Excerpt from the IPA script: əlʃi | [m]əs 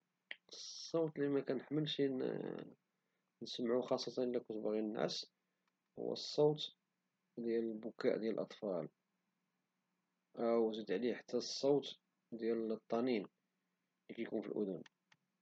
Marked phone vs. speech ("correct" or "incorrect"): incorrect